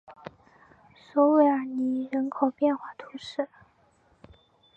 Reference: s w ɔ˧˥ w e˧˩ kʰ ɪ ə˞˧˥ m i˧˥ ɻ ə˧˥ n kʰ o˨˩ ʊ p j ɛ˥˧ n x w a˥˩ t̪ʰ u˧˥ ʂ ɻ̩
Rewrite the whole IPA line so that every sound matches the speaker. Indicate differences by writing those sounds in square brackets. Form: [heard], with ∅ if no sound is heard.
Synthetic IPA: s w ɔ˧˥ w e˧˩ [∅] ɪ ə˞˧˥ [n] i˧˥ ɻ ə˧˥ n kʰ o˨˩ ʊ p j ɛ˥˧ n x w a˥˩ t̪ʰ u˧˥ ʂ ɻ̩